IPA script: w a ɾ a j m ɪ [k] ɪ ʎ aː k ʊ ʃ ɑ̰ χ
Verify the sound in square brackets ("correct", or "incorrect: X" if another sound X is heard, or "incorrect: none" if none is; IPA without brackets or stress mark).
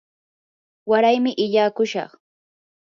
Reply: incorrect: ʔ